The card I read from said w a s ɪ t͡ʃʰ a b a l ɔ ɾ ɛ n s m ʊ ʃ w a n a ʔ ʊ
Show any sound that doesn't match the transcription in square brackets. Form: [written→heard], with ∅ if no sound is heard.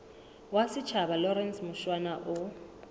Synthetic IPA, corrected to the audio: w a s ɪ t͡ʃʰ a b a l ɔ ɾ ɛ n s m ʊ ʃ w a n a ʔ ʊ